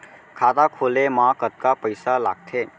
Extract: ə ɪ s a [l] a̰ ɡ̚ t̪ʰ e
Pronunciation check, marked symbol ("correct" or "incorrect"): correct